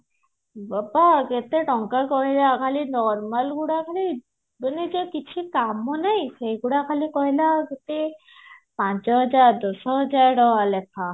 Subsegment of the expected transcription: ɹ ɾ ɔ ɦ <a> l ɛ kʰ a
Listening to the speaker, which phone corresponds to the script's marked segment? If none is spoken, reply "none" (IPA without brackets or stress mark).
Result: a